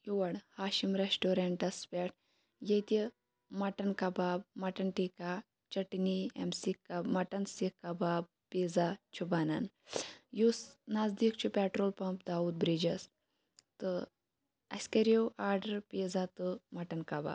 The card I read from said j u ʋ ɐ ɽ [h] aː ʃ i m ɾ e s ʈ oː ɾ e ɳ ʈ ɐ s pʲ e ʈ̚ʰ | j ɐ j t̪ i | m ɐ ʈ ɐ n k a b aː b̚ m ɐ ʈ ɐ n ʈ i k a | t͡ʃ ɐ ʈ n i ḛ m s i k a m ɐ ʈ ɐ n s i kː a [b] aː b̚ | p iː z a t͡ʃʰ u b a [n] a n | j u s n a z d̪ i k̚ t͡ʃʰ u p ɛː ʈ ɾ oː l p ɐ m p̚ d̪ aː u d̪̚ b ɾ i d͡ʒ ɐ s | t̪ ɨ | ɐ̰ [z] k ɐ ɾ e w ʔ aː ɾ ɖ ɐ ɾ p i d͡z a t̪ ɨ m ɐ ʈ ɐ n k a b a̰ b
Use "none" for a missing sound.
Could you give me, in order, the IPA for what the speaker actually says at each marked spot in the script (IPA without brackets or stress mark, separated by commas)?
h, b, n, s